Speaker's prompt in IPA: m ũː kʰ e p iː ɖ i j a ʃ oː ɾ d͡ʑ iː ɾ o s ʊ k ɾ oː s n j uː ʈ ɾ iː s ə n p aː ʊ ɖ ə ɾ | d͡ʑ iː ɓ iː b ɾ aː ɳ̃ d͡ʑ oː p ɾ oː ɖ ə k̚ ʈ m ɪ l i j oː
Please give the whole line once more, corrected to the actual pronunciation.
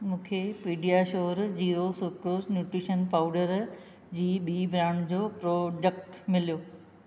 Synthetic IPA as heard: m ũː kʰ e p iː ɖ i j a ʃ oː ɾ d͡ʑ iː ɾ o s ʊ k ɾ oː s n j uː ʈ ɾ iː ʃ ə n p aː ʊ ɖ ə ɾ | d͡ʑ iː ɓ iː b ɾ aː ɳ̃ d͡ʑ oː p ɾ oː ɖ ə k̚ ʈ m ɪ l i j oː